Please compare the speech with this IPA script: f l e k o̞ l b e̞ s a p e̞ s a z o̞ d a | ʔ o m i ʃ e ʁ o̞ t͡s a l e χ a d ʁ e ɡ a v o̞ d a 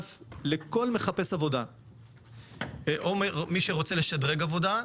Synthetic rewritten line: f l e k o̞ l m e̞ χ a p e̞ s a v o̞ d a | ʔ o m i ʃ e ʁ o̞ t͡s e l e ʃ a d ʁ e ɡ a v o̞ d a